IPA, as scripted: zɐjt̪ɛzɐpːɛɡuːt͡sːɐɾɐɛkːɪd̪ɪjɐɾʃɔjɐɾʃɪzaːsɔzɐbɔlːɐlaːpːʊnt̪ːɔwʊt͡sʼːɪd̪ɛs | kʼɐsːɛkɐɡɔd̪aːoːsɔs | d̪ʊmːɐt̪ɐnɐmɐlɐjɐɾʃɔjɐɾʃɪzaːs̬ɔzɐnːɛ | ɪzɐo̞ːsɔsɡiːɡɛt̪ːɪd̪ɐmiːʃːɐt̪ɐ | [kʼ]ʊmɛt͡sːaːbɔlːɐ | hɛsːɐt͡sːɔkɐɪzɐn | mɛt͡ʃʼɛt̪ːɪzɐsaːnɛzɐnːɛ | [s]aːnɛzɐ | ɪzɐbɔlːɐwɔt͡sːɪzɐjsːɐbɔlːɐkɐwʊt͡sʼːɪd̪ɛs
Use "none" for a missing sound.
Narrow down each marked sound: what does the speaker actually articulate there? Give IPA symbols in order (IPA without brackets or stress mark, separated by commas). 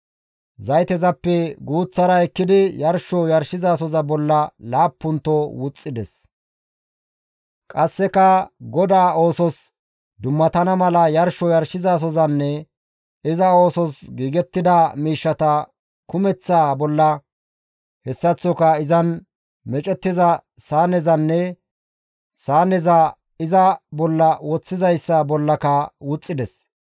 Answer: k, s